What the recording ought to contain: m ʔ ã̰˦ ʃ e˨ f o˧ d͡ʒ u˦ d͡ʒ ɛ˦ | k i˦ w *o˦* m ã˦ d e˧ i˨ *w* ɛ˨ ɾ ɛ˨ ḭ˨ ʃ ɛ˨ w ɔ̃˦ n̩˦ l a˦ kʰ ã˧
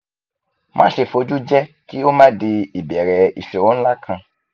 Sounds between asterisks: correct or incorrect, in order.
correct, incorrect: b

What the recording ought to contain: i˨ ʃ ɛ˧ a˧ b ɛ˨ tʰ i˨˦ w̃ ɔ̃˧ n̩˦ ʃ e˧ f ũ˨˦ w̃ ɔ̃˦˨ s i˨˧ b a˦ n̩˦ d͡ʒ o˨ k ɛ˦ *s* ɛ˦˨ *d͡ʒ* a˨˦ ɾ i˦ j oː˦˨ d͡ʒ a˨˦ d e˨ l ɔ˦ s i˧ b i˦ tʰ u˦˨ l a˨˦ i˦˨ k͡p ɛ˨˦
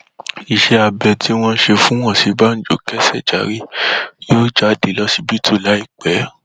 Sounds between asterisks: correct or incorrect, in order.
correct, correct

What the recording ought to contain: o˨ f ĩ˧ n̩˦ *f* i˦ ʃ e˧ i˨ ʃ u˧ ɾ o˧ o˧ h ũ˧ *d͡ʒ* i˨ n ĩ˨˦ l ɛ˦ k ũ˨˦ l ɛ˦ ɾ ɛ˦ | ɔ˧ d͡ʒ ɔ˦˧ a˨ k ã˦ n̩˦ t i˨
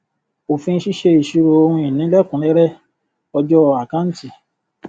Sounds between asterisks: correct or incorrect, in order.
incorrect: ʃ, incorrect: none

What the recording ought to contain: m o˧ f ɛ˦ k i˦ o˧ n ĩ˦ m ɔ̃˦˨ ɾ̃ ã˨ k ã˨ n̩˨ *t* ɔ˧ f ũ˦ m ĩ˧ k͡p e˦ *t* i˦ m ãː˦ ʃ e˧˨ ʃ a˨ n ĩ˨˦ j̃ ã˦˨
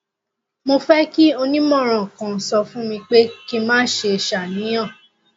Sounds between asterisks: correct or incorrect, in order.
incorrect: s, incorrect: k

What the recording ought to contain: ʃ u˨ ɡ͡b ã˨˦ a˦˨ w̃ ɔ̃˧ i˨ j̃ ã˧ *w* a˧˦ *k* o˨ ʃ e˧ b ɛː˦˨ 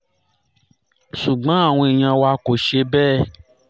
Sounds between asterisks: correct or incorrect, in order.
correct, correct

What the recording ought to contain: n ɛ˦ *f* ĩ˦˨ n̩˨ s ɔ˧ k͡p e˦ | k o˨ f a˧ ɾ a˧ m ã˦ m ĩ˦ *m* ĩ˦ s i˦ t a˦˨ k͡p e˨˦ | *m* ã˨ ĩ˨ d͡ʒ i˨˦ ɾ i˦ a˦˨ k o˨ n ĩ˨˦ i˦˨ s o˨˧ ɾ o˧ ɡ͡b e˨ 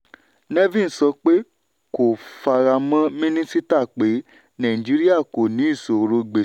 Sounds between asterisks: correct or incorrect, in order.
incorrect: v, incorrect: n, incorrect: n

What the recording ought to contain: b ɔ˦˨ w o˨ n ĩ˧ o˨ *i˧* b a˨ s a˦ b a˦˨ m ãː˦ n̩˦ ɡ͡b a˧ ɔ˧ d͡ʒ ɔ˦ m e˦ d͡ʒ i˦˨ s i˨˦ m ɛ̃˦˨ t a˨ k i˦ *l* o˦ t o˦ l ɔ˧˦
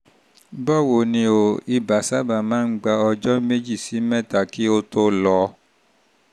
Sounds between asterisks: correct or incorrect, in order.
correct, incorrect: none

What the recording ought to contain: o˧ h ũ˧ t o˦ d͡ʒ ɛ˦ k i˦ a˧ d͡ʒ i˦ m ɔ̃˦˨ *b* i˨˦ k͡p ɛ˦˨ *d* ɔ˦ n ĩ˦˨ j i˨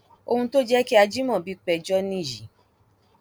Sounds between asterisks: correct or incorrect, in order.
correct, incorrect: d͡ʒ

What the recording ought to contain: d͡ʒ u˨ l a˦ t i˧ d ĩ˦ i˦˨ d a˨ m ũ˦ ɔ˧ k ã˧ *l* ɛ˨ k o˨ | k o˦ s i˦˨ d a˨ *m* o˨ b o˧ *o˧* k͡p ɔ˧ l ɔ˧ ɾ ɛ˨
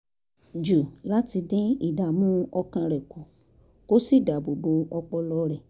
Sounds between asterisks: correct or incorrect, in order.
incorrect: ɾ, incorrect: b, incorrect: ɔ˧

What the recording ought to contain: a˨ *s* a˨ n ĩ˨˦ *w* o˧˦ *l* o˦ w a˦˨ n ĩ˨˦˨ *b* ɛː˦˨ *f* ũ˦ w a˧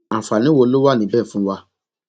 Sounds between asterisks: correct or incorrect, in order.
incorrect: f, correct, correct, correct, correct

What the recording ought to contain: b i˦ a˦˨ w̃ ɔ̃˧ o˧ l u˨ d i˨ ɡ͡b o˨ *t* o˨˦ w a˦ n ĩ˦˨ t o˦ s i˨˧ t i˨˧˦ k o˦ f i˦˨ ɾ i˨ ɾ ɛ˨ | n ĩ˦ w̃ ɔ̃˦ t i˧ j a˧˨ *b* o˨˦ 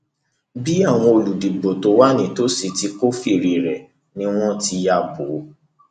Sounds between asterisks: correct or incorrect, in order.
correct, correct

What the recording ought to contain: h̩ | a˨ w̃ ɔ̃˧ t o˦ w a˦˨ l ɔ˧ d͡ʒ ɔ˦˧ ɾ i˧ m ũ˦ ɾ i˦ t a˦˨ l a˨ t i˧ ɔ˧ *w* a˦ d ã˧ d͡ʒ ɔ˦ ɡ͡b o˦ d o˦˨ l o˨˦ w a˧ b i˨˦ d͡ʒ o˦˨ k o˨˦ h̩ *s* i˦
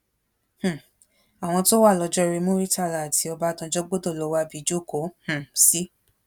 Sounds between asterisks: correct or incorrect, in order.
incorrect: b, correct

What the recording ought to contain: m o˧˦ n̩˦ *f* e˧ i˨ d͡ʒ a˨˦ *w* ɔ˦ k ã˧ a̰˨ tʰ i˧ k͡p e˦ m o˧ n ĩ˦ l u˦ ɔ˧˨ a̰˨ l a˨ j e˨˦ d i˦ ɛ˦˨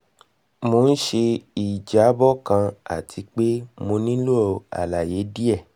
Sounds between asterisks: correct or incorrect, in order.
incorrect: ʃ, incorrect: b

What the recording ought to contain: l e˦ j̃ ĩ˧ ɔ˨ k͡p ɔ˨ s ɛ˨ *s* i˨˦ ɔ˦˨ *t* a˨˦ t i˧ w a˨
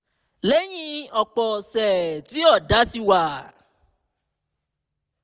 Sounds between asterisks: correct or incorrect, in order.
incorrect: t, incorrect: d

